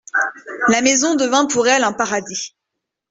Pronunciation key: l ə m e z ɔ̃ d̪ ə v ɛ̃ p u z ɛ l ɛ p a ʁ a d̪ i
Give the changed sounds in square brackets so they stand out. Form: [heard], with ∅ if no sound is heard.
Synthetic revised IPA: l [a] m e z ɔ̃ d̪ ə v ɛ̃ p u [ʁ] ɛ l [ɛ̃] p a ʁ a d̪ i